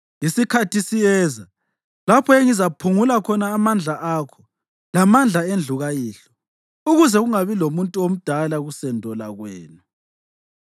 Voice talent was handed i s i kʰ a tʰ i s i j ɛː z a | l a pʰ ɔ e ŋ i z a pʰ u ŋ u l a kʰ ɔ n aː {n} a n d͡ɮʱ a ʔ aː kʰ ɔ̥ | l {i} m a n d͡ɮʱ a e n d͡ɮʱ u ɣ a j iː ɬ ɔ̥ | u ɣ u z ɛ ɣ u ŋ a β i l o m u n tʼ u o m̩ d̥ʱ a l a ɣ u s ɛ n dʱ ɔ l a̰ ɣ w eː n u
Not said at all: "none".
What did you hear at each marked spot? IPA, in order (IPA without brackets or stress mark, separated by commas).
m, a